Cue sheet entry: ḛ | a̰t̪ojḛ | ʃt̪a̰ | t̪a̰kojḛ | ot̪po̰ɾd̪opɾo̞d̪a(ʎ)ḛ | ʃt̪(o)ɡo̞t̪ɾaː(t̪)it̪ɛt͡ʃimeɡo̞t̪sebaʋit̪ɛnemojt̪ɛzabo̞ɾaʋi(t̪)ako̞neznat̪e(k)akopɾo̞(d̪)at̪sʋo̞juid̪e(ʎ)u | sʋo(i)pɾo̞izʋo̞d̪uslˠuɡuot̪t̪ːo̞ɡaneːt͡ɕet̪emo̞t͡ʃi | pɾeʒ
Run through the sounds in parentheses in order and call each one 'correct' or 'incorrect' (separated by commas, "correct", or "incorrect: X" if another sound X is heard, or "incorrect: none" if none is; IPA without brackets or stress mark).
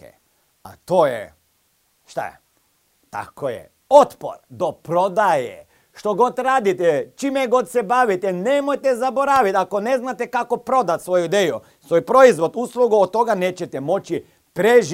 incorrect: j, correct, incorrect: d̪, correct, correct, correct, incorrect: j, incorrect: j